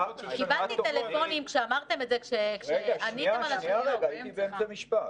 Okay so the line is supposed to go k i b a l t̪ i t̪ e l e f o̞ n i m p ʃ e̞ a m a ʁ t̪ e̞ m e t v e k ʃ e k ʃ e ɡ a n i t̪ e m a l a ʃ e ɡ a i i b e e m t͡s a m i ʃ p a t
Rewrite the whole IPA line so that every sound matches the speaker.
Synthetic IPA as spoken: k i b a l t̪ i t̪ e l e f o̞ n i m k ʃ e̞ a m a ʁ t̪ e̞ m e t z e k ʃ e k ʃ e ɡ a n i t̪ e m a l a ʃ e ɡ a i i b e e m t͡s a m i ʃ p a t

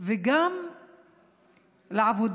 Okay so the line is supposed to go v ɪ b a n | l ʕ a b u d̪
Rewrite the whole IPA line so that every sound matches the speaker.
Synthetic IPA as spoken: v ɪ ɡ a m | l ʕ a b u d̪

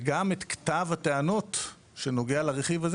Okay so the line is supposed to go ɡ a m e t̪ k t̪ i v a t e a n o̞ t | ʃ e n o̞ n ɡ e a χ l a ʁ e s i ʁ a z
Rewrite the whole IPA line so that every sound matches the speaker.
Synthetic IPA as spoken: ɡ a m e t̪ k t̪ a v a t e a n o̞ t | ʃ e n o̞ ɡ e a l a ʁ e χ i v a z

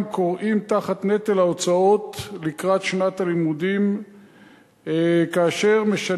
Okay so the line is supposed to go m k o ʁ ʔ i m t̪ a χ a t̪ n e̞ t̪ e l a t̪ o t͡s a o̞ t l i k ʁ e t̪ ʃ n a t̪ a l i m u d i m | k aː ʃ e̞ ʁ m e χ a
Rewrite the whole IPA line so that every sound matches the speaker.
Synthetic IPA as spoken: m k o ʁ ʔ i m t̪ a χ a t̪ n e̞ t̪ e l a o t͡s a o̞ t l i k ʁ a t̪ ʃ n a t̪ a l i m u d i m | k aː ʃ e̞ ʁ m e ʃ a

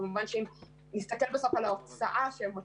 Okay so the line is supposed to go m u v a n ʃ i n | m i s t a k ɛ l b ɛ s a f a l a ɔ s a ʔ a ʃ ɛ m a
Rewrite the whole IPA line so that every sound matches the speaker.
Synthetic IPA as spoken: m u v a n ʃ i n | n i s t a k ɛ l b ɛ s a f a l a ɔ s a ʔ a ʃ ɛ m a

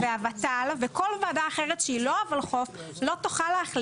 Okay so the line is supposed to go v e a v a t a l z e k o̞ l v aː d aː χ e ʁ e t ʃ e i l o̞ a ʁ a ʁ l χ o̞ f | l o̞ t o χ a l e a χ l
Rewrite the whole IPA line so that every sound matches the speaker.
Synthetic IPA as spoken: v e a v a t a l v e k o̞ l v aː d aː χ e ʁ e t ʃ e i l o̞ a v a l χ o̞ f | l o̞ t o χ a l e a χ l

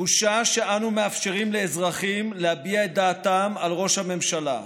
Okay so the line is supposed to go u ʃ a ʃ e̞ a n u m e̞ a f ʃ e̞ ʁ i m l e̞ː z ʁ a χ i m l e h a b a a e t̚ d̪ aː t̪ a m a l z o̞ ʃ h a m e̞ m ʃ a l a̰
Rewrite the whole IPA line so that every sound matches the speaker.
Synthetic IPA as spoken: u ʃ a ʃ e̞ a n u m e̞ a f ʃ e̞ ʁ i m l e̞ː z ʁ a χ i m l e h a b i a e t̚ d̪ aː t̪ a m a l ʁ o̞ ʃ h a m e̞ m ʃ a l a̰

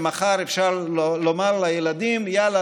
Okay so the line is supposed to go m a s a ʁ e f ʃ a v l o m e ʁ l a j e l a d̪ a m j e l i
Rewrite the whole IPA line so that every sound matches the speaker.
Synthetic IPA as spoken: m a χ a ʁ e f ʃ a ʁ l o m a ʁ l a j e l a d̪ i m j a l a

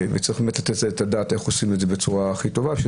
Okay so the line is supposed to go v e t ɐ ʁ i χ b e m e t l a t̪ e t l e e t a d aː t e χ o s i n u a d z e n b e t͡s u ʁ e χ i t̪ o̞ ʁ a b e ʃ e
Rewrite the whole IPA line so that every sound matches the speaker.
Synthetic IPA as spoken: v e t͡s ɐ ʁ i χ b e m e t l a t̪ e t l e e t a d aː t e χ o s i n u e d z e b e t͡s u ʁ a χ i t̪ o̞ v a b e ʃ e

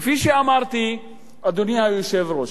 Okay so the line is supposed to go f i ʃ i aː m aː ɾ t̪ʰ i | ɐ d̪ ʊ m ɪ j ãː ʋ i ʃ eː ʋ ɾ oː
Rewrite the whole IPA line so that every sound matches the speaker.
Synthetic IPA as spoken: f i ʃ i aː m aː ɾ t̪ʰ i | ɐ d̪ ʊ n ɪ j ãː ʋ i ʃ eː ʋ ɾ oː

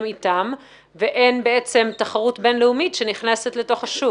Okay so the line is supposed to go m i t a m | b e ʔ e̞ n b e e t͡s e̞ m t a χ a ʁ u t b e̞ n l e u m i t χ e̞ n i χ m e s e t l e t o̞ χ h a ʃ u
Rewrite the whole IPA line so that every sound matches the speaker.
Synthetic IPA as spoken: m i t a m | v e ʔ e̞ n b e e t͡s e̞ m t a χ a ʁ u t b e̞ n l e u m i t ʃ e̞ n i χ n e s e t l e t o̞ χ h a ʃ u

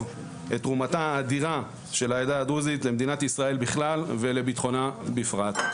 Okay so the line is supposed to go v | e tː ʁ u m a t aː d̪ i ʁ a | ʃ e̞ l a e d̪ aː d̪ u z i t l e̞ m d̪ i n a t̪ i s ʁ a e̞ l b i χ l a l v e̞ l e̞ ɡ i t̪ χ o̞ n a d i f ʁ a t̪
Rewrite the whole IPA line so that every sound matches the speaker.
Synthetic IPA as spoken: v | e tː ʁ u m a t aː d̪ i ʁ a | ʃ e̞ l a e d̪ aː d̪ u z i t l e̞ m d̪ i n a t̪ i s ʁ a e̞ l b i χ l a l v e̞ l e̞ b i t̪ χ o̞ n a b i f ʁ a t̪

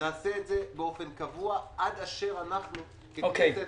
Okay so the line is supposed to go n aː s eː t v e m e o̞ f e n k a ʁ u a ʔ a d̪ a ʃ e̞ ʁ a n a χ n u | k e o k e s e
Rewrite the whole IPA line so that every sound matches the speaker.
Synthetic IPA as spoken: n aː s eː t z e b e o̞ f e n k a v u a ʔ a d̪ a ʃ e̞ ʁ a n a χ n u | k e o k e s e

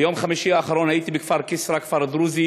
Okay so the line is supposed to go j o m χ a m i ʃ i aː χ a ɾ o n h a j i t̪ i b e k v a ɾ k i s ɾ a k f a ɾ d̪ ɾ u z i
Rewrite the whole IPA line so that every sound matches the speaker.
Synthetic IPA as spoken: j o m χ a m i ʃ i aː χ a ɾ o n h a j i t̪ i b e k f a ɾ k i s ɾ a k f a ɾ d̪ ɾ u z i

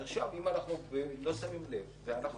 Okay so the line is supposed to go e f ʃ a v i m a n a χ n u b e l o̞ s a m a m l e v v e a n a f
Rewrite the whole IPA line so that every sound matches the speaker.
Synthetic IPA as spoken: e χ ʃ a v i m a n a χ n u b e l o̞ s a m i m l e v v e a n a χ

